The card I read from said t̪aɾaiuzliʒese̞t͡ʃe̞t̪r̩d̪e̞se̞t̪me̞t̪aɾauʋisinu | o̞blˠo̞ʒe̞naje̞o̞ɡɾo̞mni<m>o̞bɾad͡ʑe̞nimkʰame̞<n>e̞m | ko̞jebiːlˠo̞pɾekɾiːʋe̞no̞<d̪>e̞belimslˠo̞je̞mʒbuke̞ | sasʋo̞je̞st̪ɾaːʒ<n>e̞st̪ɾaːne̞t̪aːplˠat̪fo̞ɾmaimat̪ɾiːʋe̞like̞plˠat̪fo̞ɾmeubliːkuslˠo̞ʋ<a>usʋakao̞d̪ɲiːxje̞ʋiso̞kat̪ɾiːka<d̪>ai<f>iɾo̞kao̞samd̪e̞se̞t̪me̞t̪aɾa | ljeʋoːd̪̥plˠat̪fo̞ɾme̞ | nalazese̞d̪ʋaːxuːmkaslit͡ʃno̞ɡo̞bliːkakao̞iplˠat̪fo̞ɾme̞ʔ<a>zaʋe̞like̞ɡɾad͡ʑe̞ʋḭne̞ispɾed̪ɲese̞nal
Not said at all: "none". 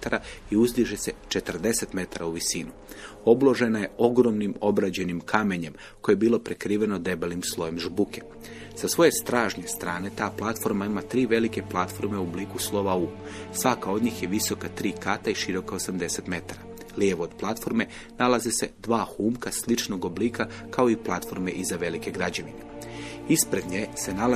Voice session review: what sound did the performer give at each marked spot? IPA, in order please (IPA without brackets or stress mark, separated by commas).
m, ɲ, d̪, ɲ, a, t̪, ʃ, i